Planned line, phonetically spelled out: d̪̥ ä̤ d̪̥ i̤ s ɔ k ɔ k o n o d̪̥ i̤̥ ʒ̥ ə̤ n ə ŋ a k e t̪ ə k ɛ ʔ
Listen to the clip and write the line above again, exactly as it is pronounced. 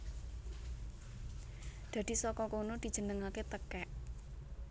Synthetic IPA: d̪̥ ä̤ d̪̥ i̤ s ɔ k ɔ k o n o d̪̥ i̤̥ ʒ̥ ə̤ n ə ŋ a k e t̪ ə k ɛ ʔ